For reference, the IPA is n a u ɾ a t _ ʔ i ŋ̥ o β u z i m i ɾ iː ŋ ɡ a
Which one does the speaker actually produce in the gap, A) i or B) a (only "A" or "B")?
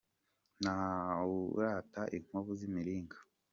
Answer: B